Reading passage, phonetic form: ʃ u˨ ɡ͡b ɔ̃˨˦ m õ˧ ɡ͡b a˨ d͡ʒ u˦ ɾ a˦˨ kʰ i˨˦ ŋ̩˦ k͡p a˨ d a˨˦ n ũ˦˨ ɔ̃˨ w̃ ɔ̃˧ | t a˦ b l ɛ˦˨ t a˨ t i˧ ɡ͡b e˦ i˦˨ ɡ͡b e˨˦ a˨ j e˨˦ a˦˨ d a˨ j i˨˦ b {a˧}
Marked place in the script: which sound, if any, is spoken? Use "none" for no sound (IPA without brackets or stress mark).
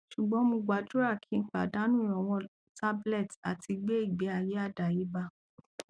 a˧